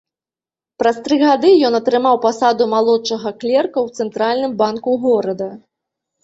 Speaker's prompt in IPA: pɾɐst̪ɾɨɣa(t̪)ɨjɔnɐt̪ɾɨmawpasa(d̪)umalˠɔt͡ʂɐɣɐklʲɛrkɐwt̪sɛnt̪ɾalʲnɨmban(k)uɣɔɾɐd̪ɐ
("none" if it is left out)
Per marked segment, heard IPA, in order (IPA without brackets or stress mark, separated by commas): d̪, d̪, k